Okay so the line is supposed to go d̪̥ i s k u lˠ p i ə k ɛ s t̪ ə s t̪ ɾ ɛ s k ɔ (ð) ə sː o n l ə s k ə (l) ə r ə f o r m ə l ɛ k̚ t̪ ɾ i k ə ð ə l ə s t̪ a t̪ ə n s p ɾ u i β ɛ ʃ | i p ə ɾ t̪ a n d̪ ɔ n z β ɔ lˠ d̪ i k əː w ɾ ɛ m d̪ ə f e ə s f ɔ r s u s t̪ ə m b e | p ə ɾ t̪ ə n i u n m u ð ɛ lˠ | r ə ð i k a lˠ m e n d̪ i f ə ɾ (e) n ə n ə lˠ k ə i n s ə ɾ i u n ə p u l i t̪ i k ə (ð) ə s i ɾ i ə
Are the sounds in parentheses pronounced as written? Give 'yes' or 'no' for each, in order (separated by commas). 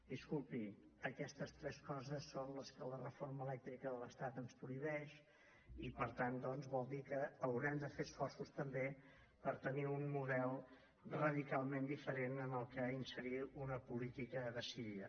no, yes, yes, yes